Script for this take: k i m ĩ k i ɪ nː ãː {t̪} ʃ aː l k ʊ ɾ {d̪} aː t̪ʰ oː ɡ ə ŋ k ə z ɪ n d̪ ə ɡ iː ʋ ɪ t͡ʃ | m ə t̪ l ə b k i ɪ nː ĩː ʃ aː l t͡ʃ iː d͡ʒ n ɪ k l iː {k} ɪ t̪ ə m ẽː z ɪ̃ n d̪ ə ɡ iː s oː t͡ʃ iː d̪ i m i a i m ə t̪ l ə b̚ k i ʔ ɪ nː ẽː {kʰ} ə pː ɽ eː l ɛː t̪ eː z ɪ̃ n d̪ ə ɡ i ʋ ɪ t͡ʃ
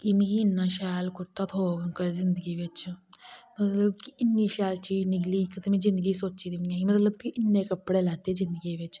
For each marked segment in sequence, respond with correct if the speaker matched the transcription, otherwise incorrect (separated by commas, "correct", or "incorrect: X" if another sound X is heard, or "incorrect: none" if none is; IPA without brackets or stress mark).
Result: incorrect: none, incorrect: t̪, correct, incorrect: k